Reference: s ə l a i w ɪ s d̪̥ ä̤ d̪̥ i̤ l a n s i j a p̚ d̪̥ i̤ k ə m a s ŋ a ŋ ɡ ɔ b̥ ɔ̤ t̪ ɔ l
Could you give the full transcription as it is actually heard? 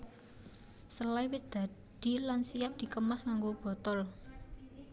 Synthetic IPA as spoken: s ə l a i w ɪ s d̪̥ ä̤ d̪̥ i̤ l a n s i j a p̚ d̪̥ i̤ k ə m a s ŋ a ŋ ɡ o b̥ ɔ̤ t̪ ɔ l